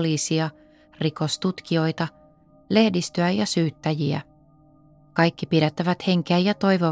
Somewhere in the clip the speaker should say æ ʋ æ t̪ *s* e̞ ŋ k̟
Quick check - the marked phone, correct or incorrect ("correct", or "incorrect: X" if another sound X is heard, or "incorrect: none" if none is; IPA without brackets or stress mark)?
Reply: incorrect: h